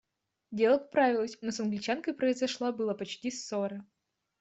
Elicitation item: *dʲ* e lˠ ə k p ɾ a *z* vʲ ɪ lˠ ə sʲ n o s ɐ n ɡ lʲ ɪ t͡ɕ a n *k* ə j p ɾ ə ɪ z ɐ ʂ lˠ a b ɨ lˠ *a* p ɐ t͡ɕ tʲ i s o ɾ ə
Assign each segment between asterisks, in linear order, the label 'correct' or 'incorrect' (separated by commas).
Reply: correct, incorrect, correct, incorrect